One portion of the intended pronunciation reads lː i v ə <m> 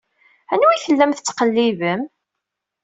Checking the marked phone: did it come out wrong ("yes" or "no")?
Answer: no